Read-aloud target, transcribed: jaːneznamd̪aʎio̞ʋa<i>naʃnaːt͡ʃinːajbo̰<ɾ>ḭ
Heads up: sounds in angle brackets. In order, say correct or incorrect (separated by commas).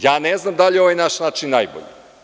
incorrect, incorrect